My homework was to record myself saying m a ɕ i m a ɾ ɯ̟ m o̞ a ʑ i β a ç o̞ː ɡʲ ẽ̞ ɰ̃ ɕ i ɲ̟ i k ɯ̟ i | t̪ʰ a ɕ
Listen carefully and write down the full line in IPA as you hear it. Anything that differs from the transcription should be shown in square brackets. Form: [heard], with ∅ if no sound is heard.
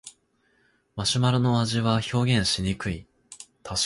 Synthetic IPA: m a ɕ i m a ɾ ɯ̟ [n] o̞ a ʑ i β a ç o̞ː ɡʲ ẽ̞ ɰ̃ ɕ i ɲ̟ i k ɯ̟ i | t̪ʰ a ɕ